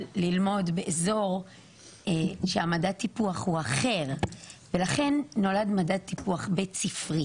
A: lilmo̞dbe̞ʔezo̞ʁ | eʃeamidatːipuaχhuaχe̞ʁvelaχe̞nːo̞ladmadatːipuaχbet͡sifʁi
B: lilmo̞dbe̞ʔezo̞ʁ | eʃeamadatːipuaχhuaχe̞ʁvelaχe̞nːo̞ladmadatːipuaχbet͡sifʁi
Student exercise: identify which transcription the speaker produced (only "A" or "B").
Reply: B